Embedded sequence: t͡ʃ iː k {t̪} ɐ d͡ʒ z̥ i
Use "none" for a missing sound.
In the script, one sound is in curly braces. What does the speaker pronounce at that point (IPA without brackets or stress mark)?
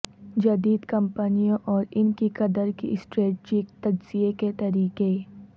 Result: t̪